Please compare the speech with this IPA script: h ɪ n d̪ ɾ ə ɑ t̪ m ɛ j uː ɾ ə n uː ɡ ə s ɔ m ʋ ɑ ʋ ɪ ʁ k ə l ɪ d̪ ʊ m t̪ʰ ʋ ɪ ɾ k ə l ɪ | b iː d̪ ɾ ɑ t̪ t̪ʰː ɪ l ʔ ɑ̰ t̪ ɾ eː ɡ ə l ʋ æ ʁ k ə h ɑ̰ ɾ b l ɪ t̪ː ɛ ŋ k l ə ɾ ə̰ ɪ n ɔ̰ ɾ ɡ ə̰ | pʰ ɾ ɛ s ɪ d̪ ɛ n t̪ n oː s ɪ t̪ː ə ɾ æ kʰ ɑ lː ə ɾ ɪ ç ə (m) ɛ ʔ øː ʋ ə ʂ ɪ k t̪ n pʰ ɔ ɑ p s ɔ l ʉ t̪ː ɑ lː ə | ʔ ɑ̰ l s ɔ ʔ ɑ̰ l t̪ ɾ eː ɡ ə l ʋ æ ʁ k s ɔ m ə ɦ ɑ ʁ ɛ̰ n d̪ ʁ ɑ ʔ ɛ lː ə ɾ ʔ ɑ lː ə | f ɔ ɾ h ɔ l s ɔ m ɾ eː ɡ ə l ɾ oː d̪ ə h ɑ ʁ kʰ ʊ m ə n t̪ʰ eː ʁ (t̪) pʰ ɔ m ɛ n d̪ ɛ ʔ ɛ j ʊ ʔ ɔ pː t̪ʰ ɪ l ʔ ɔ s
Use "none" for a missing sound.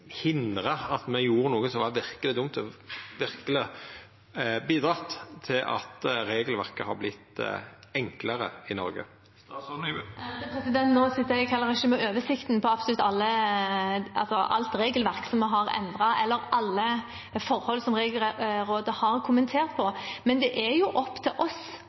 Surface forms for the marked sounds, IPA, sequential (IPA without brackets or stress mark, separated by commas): m, t̪